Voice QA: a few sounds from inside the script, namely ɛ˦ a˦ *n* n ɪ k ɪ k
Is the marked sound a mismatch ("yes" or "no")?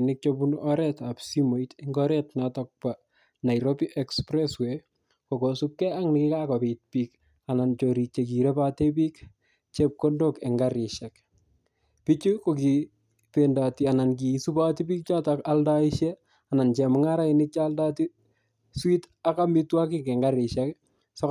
yes